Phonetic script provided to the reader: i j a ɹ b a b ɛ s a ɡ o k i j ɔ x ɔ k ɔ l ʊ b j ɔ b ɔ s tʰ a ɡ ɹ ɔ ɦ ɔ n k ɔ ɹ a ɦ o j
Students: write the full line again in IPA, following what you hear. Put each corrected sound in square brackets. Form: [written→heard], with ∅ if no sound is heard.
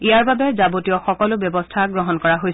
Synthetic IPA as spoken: i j a ɹ b a b ɛ [s→z] a [ɡ→b] o [k→t] i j ɔ x ɔ k ɔ l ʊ b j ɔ b ɔ s tʰ a ɡ ɹ ɔ ɦ ɔ n k ɔ ɹ a ɦ o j